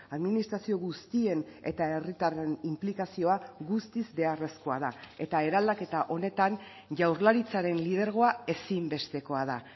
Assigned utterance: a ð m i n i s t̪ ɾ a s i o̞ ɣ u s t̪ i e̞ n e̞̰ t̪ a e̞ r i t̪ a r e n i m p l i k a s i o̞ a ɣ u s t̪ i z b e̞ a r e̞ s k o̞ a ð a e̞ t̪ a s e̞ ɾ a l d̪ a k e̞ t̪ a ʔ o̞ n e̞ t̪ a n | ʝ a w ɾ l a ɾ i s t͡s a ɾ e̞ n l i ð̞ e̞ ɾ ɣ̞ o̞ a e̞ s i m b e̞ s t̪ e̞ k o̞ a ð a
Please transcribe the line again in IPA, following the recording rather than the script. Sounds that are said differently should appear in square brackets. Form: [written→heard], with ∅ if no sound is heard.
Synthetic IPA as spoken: a ð m i n i s t̪ ɾ a s i o̞ ɣ u s t̪ i e̞ n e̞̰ t̪ a e̞ r i t̪ a r e n i m p l i k a s i o̞ a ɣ u s t̪ i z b e̞ a r e̞ s k o̞ a ð a e̞ t̪ a [s→∅] e̞ ɾ a l d̪ a k e̞ t̪ a ʔ o̞ n e̞ t̪ a n | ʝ a w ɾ l a ɾ i [s→∅] t͡s a ɾ e̞ n l i ð̞ e̞ ɾ ɣ̞ o̞ a e̞ s i m b e̞ s t̪ e̞ k o̞ a ð a